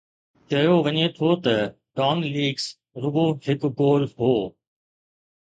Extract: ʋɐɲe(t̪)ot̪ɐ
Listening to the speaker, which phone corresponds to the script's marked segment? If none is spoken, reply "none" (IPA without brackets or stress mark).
t̪ʰ